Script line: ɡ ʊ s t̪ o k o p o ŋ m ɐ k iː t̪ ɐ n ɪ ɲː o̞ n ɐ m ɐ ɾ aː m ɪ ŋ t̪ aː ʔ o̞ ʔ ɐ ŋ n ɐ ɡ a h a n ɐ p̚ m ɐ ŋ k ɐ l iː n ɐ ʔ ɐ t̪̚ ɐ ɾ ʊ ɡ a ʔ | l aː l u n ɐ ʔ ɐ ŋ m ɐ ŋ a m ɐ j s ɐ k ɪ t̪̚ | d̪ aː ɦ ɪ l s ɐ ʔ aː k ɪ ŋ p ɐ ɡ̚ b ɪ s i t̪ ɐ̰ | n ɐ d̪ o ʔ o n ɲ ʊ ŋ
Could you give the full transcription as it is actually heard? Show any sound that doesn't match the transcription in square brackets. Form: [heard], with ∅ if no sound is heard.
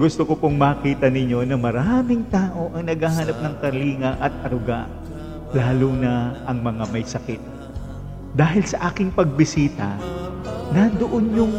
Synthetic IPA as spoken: ɡ ʊ s t̪ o k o p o ŋ m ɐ k iː t̪ ɐ n ɪ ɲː o̞ n ɐ m ɐ ɾ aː m ɪ ŋ t̪ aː ʔ o̞ ʔ ɐ ŋ n ɐ ɡ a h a n ɐ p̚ [n] ɐ ŋ k ɐ l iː [ŋ] ɐ ʔ ɐ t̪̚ ɐ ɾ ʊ ɡ a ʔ | l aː l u n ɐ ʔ ɐ ŋ m ɐ ŋ a m ɐ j s ɐ k ɪ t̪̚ | d̪ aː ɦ ɪ l s ɐ ʔ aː k ɪ ŋ p ɐ ɡ̚ b ɪ s [iː] t̪ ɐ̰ | n ɐ d̪ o ʔ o n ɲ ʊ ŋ